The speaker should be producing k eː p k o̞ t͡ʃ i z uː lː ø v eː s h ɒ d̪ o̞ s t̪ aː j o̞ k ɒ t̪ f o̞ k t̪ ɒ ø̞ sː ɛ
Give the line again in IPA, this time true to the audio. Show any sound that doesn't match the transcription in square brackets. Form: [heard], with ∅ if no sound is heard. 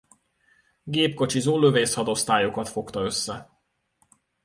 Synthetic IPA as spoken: [ɡ] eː p k o̞ t͡ʃ i z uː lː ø v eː s h ɒ d̪ o̞ s t̪ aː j o̞ k ɒ t̪ f o̞ k t̪ ɒ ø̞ sː ɛ